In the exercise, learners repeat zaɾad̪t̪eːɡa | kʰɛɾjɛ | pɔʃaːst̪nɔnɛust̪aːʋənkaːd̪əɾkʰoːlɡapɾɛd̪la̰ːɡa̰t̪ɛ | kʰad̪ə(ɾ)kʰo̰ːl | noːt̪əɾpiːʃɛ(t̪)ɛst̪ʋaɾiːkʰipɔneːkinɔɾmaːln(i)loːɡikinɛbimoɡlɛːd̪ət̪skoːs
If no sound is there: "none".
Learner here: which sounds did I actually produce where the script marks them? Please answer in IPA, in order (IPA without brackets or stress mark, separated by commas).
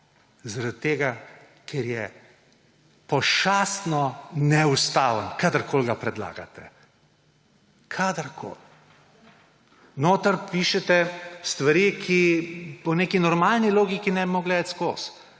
ɾ, t̪, i